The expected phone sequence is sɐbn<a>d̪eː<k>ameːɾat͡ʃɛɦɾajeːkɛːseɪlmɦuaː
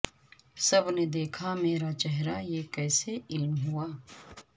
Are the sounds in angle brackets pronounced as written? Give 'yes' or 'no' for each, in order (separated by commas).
no, no